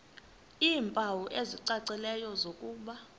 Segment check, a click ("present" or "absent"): present